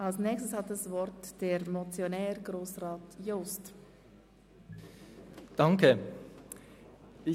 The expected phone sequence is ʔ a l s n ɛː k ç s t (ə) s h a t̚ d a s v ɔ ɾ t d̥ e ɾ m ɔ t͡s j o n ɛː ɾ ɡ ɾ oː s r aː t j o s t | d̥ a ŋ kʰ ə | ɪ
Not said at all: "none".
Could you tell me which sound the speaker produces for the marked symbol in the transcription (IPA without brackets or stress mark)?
ə